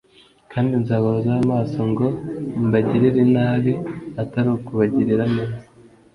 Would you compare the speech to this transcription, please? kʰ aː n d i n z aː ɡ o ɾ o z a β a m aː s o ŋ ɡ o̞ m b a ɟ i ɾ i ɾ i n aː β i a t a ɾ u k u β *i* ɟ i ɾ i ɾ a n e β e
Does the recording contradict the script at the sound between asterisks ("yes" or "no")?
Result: yes